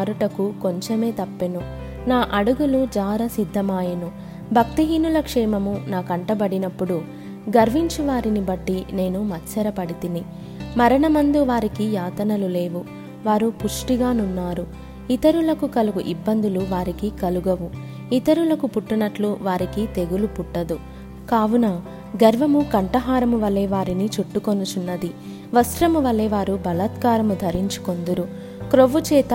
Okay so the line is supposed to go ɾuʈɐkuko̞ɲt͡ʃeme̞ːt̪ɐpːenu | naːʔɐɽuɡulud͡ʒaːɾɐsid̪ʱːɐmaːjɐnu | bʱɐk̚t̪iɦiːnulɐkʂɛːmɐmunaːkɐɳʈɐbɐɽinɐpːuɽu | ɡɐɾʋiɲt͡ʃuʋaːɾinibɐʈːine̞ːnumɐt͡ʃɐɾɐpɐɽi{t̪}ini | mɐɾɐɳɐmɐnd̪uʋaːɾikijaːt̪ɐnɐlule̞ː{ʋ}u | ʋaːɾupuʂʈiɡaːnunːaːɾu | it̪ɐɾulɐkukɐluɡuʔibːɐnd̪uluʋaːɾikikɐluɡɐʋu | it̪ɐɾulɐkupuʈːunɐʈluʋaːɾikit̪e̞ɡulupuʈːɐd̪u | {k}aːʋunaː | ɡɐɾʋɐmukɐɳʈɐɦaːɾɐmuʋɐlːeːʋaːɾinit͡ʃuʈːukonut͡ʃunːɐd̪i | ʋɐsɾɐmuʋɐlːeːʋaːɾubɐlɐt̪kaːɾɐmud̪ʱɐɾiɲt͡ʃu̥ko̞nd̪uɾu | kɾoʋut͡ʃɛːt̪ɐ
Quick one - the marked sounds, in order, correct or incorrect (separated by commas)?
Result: correct, correct, correct